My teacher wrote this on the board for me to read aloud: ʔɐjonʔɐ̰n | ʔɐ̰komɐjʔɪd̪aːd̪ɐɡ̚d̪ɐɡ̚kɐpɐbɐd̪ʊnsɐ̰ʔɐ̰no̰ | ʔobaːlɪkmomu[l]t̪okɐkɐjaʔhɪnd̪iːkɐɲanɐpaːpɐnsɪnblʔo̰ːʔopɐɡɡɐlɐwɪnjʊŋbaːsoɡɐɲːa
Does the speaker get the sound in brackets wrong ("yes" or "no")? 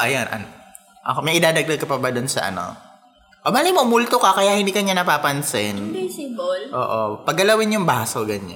no